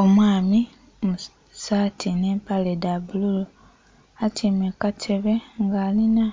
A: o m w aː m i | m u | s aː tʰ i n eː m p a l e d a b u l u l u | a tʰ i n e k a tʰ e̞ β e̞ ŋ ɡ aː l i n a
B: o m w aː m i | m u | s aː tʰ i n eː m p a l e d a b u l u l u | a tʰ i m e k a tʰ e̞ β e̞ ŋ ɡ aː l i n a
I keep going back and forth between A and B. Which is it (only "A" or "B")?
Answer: B